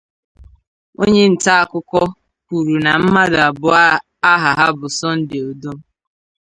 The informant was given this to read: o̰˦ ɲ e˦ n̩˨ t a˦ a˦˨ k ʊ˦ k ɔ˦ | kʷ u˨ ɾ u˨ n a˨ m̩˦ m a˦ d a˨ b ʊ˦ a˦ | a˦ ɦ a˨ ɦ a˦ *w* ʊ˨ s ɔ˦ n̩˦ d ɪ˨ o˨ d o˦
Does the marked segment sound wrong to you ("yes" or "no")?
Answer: yes